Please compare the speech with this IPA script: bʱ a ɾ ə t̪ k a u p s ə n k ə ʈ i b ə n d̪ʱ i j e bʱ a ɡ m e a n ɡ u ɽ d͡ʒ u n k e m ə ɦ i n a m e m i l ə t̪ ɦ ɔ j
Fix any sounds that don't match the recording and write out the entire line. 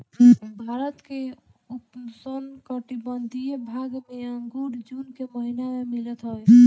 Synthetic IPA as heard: bʱ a ɾ ə t̪ k e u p s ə n k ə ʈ i b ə n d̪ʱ i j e bʱ a ɡ m e a ŋ ɡ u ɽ d͡ʒ u n k e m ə ɦ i n a m e m i l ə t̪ ɦ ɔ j